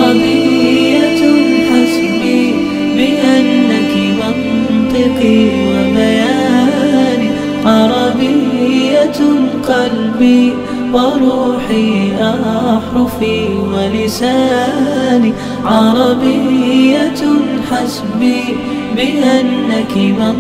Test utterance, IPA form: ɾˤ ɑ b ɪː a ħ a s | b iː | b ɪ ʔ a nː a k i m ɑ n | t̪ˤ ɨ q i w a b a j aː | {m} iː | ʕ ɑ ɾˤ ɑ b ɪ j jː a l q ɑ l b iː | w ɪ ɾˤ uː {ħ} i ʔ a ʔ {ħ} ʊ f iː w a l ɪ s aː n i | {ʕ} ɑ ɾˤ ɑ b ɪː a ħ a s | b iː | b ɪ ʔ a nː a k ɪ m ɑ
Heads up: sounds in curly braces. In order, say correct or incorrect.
incorrect: n, correct, correct, correct

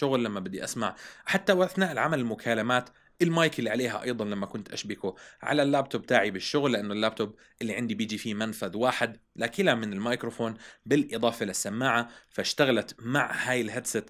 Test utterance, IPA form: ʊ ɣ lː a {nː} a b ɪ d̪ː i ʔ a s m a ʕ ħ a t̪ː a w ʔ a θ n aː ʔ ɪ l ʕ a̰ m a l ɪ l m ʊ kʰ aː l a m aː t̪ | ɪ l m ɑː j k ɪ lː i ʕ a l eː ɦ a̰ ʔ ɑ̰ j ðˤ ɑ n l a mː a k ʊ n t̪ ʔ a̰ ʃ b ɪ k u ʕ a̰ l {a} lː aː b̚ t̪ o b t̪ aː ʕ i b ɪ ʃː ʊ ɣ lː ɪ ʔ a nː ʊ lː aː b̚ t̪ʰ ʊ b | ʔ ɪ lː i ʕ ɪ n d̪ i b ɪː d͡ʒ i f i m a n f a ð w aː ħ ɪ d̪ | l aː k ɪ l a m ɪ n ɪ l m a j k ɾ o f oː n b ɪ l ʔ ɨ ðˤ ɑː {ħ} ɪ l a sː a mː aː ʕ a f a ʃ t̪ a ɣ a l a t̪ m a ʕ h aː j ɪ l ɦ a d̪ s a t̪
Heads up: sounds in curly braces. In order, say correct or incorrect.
incorrect: mː, correct, incorrect: f

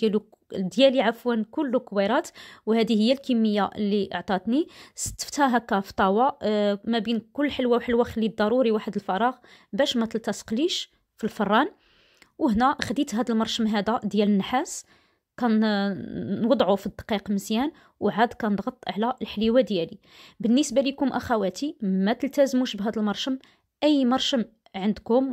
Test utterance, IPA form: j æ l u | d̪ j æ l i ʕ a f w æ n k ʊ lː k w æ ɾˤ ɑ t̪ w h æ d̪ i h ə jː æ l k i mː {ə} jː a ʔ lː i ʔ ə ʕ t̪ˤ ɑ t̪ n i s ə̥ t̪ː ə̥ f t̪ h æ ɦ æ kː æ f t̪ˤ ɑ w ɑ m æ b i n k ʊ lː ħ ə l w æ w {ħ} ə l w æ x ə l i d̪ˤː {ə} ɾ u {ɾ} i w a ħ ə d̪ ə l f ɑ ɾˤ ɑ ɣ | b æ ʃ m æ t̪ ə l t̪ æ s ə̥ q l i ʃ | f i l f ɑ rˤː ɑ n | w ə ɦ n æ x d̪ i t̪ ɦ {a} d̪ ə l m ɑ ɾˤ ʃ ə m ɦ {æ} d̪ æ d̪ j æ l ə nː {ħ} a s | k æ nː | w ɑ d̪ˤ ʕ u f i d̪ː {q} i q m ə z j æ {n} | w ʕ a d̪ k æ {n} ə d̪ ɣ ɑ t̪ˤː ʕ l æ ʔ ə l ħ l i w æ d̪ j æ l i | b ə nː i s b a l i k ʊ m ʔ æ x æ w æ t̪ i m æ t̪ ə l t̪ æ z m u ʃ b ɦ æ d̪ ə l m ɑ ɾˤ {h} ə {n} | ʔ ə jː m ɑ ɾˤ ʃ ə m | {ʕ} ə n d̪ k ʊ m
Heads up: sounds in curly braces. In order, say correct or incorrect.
correct, correct, incorrect: ɑ, correct, incorrect: æ, correct, correct, correct, correct, correct, incorrect: ʃ, incorrect: m, correct

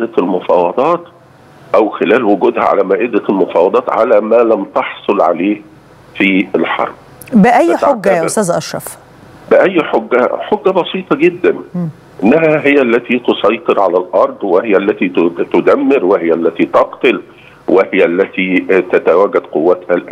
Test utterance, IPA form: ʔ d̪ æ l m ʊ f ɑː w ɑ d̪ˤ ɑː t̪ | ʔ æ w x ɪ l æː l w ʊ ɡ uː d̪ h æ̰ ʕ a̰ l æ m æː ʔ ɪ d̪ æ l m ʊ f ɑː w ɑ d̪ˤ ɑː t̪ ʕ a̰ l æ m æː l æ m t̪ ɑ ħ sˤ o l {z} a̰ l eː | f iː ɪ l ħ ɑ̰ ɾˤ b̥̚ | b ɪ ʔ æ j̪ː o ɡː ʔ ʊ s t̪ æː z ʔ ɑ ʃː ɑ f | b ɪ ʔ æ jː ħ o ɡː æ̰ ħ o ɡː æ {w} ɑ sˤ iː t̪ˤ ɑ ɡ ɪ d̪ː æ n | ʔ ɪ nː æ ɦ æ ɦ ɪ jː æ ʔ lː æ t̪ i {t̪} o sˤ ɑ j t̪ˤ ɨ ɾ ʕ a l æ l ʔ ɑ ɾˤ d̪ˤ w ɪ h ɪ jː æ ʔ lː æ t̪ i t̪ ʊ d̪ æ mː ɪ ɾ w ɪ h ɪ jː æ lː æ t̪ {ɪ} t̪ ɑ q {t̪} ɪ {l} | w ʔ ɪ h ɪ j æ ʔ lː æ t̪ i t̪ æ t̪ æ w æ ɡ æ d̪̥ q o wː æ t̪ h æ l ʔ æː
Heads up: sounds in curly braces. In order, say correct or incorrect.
incorrect: ʕ, incorrect: b, correct, incorrect: i, correct, correct

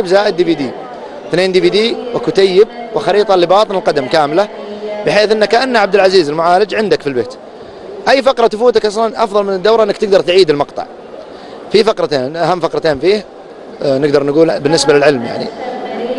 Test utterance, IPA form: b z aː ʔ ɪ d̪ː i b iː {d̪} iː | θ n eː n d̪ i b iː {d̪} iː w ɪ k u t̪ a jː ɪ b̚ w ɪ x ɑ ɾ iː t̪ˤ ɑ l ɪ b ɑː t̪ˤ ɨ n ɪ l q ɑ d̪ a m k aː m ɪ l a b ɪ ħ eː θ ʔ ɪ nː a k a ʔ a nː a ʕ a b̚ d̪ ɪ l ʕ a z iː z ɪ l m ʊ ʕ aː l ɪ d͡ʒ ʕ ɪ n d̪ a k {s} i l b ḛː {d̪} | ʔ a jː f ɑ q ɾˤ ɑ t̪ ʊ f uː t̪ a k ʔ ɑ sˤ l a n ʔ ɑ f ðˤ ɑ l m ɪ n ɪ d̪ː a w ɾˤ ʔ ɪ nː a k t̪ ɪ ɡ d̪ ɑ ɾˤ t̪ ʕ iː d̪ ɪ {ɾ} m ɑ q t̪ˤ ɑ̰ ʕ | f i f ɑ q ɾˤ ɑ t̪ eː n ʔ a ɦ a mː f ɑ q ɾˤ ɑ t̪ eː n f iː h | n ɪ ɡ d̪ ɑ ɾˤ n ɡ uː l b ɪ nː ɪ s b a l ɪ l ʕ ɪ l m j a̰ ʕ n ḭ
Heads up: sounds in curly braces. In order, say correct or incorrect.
correct, correct, incorrect: f, incorrect: t̪, incorrect: l

